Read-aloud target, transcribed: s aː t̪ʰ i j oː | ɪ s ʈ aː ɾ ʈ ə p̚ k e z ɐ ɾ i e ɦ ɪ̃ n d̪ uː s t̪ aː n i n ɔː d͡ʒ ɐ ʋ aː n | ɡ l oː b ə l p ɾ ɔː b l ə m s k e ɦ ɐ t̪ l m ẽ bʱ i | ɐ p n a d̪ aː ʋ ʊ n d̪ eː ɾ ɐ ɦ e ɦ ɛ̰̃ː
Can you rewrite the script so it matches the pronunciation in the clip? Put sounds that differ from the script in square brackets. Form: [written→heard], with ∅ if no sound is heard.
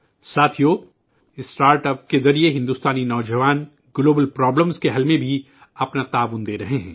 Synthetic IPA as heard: s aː t̪ʰ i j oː | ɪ s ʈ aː ɾ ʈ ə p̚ k e z ɐ ɾ i e ɦ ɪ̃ n d̪ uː s t̪ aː n i n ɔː d͡ʒ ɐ ʋ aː n | ɡ l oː b ə l p ɾ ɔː b l ə m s k e ɦ ɐ [t̪→∅] l m ẽ bʱ i | ɐ p n a [d̪→t̪] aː ʋ ʊ n d̪ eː ɾ ɐ ɦ e ɦ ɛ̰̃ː

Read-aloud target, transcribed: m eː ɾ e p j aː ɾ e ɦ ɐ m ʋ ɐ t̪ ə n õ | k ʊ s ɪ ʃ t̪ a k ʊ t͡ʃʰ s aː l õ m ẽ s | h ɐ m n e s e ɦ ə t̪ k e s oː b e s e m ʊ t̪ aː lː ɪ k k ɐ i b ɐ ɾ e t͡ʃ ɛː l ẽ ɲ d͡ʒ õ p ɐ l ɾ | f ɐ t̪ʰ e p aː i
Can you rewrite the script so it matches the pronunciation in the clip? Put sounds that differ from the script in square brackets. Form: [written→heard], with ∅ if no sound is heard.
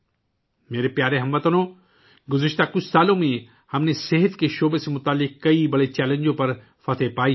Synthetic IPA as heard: m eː ɾ e p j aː ɾ e ɦ ɐ m ʋ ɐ t̪ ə n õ | [k→ɡ] ʊ [s→z] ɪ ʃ t̪ a k ʊ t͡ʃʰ s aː l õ m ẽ [s→∅] | h ɐ m n e s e ɦ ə t̪ k e [s→ʃ] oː b e s e m ʊ t̪ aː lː ɪ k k ɐ i b ɐ [ɾ→ɽ] e t͡ʃ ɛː l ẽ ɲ d͡ʒ õ p ɐ [l→∅] ɾ | f ɐ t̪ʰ e p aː i

